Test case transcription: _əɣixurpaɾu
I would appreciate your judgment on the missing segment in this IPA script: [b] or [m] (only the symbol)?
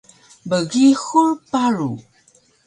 b